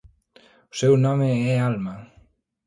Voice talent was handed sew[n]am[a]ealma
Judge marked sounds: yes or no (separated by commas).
yes, no